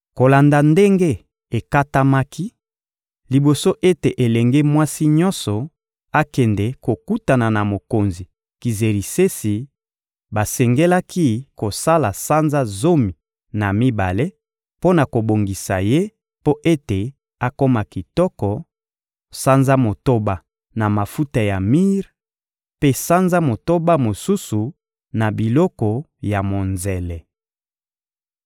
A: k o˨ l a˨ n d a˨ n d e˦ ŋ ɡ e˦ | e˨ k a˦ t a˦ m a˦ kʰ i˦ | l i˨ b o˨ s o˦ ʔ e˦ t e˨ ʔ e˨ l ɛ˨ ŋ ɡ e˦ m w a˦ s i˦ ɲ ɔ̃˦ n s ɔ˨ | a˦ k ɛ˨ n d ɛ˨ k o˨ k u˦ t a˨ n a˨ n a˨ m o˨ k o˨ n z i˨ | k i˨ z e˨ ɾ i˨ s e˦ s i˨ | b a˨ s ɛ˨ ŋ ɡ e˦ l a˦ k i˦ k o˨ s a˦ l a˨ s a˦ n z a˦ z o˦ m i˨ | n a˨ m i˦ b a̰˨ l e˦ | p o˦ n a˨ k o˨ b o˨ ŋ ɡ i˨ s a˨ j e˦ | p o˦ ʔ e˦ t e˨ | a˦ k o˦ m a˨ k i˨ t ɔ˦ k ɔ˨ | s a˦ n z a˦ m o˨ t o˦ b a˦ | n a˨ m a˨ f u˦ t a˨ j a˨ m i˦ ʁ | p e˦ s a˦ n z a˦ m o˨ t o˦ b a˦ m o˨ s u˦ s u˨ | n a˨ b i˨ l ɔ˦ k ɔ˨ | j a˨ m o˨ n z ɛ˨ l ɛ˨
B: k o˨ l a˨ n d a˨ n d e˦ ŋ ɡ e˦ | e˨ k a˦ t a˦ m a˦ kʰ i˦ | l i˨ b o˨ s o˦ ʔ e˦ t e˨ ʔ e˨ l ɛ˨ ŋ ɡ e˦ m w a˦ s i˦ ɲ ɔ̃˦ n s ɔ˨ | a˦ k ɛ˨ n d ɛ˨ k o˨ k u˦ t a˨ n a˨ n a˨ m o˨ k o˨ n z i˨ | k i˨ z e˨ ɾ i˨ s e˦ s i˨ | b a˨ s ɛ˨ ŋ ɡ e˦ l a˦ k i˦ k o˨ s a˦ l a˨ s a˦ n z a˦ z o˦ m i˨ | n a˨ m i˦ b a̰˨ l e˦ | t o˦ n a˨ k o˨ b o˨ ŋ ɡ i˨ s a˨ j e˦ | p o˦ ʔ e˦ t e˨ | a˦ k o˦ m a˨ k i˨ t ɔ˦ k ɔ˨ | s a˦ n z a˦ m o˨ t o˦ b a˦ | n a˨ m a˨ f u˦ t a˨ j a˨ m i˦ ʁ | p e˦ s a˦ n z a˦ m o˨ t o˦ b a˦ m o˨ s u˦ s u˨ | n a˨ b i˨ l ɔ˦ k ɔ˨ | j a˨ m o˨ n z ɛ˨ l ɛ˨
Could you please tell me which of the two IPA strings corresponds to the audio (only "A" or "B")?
A